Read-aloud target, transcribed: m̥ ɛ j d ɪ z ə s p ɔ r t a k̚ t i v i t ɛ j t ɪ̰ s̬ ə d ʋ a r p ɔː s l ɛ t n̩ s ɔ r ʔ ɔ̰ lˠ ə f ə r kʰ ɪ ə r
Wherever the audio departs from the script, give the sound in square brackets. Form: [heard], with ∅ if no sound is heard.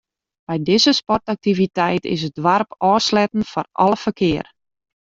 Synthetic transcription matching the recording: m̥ ɛ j d ɪ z ə s p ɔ r t a k̚ t i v i t ɛ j t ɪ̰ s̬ ə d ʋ a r p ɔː s l ɛ t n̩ [f] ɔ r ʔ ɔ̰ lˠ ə f ə r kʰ ɪ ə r